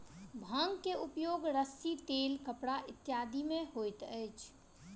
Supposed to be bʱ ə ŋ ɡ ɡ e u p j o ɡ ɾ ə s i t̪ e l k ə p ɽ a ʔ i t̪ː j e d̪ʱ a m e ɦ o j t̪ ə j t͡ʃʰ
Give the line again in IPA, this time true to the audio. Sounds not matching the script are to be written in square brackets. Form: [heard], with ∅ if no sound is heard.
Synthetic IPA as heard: bʱ ə ŋ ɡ [k] e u p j o ɡ ɾ ə s i t̪ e l k ə p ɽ a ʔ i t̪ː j [a] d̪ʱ [i] m e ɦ o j t̪ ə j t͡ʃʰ